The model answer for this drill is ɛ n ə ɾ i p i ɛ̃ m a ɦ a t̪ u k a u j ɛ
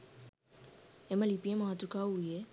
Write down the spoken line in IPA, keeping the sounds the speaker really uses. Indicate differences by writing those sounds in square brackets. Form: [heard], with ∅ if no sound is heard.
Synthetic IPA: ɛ [m] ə [l] i p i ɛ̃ m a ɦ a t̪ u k a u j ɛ